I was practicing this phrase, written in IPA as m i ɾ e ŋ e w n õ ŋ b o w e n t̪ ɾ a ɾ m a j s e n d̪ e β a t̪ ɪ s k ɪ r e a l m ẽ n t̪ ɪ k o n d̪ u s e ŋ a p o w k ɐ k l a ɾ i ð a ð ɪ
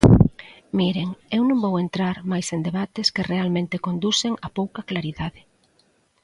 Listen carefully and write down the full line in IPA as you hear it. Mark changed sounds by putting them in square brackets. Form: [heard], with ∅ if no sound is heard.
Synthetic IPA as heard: m i ɾ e ŋ e w n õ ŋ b o w e n t̪ ɾ a ɾ m a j s e n d̪ e β a t̪ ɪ s k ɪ r e a l m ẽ n t̪ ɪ k o n d̪ u s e ŋ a p o w k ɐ k l a ɾ i ð a ð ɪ